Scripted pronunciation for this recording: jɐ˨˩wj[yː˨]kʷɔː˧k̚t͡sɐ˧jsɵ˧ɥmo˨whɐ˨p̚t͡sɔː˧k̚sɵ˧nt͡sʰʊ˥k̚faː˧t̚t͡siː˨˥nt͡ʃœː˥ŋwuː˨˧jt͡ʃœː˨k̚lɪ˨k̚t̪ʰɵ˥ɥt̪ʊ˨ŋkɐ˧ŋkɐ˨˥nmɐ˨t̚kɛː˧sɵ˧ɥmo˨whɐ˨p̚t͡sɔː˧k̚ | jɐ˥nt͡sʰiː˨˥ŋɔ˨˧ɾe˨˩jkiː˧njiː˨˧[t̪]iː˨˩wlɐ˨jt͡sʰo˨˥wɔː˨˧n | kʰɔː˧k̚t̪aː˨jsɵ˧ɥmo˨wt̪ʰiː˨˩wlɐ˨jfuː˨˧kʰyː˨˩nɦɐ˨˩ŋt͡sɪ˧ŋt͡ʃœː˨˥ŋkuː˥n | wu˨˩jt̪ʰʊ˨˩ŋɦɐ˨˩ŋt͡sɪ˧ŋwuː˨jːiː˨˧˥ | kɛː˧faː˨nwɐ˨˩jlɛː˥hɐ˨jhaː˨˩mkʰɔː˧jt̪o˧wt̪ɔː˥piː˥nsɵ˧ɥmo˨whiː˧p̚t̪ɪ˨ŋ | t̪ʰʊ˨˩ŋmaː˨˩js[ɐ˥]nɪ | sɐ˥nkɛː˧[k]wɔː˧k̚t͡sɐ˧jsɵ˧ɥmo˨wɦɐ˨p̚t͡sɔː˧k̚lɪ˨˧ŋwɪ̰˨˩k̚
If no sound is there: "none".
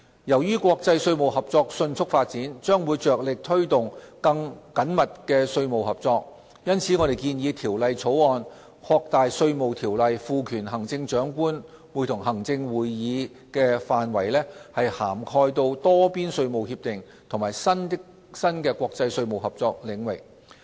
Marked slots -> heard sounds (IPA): yː˥, t̪ʰ, ɐ˥, k

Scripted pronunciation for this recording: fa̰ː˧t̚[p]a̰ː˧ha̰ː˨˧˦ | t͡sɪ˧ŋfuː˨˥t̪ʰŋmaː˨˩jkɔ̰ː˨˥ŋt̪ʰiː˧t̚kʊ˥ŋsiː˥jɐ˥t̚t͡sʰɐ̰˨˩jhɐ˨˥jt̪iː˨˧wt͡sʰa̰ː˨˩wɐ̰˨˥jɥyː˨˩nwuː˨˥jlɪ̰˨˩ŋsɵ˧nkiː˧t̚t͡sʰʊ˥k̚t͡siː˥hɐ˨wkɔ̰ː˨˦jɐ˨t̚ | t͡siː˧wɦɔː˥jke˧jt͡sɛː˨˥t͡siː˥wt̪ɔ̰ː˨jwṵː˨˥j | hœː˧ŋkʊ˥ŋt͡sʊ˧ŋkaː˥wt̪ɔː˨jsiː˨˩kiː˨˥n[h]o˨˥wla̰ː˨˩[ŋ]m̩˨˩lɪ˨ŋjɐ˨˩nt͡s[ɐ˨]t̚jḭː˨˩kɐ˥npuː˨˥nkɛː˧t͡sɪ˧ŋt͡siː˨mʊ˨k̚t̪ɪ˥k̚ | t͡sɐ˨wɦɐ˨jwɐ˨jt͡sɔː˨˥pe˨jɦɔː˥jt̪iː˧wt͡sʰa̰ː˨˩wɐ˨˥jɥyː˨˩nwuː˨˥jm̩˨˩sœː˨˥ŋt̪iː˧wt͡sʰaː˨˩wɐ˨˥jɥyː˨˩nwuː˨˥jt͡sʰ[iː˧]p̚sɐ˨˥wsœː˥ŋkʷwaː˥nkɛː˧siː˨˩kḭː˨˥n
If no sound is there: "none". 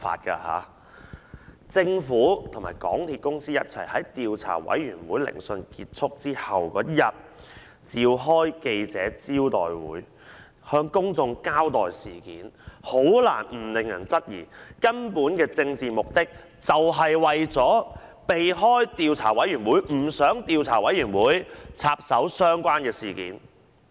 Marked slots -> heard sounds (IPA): k, h, n, ɐ˥, aː˧

